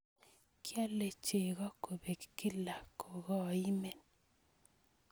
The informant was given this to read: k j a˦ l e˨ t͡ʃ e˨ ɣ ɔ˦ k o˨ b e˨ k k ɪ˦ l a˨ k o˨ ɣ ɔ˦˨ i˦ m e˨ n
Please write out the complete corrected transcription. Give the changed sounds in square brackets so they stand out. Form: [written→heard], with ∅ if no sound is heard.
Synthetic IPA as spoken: k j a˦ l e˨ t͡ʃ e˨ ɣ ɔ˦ k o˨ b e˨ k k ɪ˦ l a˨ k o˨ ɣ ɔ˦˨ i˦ m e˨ n